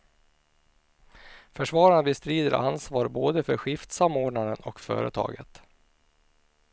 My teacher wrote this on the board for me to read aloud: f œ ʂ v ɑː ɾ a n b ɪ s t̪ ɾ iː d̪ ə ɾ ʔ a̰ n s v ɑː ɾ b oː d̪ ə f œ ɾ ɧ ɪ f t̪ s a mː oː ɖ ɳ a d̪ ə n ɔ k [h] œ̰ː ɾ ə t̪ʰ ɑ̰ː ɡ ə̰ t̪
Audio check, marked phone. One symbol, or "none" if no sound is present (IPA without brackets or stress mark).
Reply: f